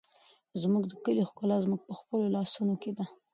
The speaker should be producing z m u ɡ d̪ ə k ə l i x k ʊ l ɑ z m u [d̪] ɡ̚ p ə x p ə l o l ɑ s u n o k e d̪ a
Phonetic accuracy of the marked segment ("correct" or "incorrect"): incorrect